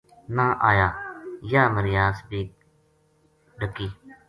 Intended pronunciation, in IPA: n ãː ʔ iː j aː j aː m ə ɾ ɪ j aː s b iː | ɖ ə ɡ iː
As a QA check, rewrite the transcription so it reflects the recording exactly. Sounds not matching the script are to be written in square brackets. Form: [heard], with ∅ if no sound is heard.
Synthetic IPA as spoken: n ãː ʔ [aː] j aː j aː m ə ɾ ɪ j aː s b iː | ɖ ə [k] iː